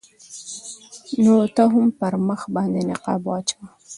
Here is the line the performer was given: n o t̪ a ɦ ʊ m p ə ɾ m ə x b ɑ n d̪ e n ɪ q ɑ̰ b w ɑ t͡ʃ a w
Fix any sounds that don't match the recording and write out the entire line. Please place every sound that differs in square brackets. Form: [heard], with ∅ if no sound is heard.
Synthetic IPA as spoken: n o t̪ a ɦ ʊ m p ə ɾ m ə x b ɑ n d̪ e n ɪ q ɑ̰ b w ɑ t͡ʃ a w